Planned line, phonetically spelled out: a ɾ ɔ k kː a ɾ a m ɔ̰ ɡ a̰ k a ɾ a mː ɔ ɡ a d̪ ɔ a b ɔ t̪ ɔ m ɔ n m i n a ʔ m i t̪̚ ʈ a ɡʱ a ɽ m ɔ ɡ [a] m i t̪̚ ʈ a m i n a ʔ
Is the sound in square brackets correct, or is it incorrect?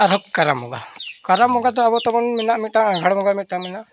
correct